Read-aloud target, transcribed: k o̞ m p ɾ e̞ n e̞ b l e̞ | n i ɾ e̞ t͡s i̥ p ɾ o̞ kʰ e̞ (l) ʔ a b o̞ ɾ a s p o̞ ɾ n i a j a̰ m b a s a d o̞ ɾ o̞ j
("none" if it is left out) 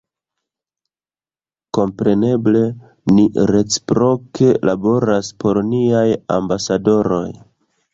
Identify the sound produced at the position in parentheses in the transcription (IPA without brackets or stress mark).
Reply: l